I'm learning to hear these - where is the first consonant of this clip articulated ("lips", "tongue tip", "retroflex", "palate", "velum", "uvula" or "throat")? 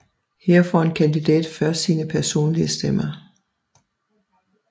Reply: throat